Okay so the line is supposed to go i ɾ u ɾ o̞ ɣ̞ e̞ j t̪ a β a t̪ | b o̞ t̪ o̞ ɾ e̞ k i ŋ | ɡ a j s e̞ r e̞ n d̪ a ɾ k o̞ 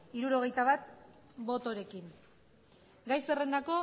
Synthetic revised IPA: i ɾ u ɾ o̞ ɣ̞ e̞ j t̪ a β a t̪ | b o̞ t̪ o̞ ɾ e̞ k i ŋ | ɡ a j s e̞ r e̞ n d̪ a k o̞